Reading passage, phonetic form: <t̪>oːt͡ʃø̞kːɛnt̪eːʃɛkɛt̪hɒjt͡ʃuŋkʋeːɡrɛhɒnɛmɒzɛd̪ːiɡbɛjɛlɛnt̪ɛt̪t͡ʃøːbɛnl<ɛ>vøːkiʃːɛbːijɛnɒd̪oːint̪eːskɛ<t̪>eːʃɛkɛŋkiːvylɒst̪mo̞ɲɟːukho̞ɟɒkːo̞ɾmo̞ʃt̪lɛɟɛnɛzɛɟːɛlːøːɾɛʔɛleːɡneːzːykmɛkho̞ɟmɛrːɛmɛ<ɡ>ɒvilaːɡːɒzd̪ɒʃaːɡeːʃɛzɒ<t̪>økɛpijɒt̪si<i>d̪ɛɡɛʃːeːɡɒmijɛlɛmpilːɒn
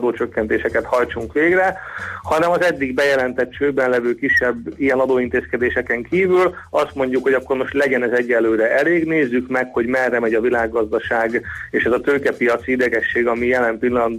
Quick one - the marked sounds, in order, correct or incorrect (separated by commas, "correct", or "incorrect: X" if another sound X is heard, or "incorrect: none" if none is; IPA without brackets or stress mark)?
incorrect: d̪, correct, incorrect: d̪, incorrect: ɟ, correct, correct